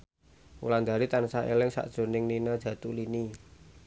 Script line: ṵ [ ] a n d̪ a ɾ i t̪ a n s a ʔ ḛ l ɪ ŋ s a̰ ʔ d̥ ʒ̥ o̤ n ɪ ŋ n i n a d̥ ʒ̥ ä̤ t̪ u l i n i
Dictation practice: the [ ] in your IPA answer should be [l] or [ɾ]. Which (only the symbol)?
l